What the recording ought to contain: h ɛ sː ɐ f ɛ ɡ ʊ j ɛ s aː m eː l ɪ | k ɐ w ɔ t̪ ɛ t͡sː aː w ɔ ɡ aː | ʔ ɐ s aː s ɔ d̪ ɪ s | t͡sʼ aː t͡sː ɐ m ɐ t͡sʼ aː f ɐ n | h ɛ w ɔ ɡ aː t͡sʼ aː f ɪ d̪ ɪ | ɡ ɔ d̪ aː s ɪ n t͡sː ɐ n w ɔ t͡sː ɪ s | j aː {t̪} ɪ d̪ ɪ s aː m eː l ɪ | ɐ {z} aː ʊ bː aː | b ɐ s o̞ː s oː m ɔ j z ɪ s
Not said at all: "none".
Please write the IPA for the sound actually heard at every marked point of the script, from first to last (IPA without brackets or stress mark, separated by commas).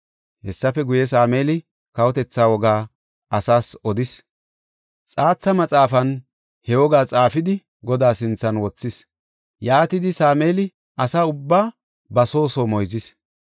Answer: t̪, s